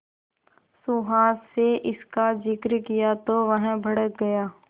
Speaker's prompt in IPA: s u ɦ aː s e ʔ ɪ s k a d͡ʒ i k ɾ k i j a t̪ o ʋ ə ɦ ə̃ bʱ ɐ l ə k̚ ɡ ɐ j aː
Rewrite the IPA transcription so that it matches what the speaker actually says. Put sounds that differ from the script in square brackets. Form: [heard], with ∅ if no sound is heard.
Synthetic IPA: s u ɦ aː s e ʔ ɪ s k a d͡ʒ [ɪ] k ɾ k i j a t̪ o ʋ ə ɦ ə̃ bʱ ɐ [ɽ] ə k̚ ɡ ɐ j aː